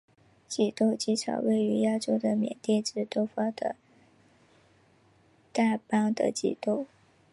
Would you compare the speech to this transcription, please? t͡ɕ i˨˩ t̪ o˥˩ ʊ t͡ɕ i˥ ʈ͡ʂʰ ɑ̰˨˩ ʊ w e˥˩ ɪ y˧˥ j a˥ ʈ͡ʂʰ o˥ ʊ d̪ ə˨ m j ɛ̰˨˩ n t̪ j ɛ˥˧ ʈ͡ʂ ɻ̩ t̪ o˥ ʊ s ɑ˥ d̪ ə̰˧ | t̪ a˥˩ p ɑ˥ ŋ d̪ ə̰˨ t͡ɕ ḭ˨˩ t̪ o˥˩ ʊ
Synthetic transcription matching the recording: t͡ɕ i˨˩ t̪ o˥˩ ʊ t͡ɕ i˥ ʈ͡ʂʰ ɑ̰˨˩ ʊ w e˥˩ ɪ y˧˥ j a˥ ʈ͡ʂ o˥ ʊ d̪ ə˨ m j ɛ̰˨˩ n t̪ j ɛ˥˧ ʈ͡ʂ ɻ̩ t̪ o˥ ʊ f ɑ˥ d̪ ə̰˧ | t̪ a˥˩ p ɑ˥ ŋ d̪ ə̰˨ t͡ɕ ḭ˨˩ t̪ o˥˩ ʊ